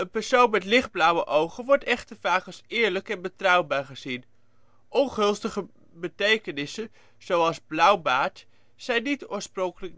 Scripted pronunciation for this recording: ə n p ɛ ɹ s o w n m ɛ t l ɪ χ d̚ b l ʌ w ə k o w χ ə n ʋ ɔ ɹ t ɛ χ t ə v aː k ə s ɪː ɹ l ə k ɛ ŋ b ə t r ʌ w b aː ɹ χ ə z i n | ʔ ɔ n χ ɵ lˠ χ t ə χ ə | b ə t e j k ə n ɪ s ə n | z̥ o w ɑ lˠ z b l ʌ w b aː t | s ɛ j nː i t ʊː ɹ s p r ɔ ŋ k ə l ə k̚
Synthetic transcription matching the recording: ə n p ɛ ɹ s o w n m ɛ t l ɪ χ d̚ b l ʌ w ə ʔ o w χ ə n ʋ ɔ ɹ t ɛ χ t ə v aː k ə s ɪː ɹ l ə k ɛ n b ə t r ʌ w b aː ɹ χ ə z i n | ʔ ɔ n χ ɵ lˠ s t ə χ ə | b ə t e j k ə n ɪ s ə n | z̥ o w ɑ lˠ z b l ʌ w b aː t | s ɛ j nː i t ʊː ɹ s p r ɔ ŋ k ə l ə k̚